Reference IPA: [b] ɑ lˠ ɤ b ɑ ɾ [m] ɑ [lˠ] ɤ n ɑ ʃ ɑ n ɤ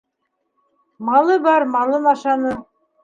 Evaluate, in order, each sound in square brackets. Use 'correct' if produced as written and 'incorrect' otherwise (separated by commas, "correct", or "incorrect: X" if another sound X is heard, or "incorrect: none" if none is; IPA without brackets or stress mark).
incorrect: m, correct, correct